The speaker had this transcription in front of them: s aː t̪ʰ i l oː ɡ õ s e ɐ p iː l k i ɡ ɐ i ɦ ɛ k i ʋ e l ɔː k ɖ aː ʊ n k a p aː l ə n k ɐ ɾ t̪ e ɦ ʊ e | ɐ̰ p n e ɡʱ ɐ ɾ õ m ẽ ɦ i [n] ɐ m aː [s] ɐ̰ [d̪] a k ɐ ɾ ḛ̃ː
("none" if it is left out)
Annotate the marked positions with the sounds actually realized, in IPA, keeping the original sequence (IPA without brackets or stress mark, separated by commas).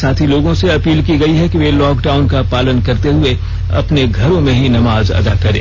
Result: n, z, d̪